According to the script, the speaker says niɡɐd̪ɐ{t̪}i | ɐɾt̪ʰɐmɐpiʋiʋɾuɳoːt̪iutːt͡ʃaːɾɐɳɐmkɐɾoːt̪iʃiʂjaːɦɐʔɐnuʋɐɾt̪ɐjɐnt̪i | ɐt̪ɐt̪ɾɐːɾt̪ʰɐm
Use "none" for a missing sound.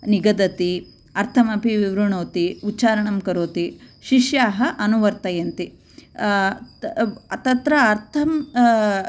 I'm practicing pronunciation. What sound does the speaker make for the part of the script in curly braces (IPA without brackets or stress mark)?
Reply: t̪